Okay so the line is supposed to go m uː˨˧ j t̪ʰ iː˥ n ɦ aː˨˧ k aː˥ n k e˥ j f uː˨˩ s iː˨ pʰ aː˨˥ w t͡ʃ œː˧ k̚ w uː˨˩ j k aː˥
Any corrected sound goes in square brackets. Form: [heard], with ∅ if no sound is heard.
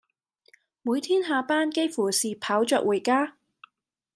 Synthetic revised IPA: m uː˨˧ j t̪ʰ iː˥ n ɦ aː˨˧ [p] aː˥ n k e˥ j f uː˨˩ s iː˨ pʰ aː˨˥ w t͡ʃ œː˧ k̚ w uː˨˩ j k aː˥